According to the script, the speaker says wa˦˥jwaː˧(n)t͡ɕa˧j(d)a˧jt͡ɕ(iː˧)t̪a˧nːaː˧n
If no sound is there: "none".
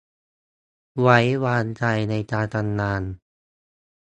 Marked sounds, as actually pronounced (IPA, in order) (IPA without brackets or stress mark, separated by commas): n, n, aː˧